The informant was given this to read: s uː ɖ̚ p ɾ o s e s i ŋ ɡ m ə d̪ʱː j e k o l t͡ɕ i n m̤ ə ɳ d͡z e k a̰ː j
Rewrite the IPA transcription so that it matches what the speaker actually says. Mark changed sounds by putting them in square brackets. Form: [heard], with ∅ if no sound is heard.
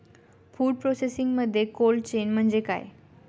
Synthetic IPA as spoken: [f] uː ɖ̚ p ɾ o s e s i ŋ ɡ m ə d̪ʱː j e k o l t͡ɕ [e] n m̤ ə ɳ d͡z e k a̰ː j